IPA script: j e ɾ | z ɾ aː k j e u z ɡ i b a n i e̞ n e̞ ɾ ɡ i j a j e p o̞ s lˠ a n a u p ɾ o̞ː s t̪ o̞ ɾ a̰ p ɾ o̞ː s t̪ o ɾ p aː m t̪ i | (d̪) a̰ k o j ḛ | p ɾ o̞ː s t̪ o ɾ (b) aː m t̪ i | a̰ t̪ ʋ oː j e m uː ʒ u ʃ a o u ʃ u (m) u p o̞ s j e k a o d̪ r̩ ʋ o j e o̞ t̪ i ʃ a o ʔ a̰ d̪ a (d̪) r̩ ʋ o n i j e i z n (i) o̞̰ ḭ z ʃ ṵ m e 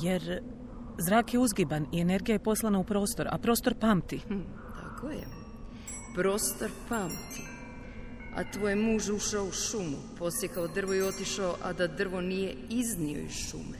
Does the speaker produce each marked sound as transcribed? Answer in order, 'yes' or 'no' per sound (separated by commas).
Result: no, no, yes, yes, yes